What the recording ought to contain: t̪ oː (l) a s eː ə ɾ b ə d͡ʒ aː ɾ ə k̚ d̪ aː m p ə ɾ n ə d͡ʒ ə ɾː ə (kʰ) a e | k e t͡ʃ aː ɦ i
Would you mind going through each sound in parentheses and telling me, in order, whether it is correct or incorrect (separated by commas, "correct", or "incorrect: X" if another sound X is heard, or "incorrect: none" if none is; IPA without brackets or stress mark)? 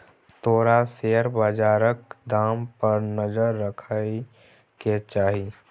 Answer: incorrect: ɾ, correct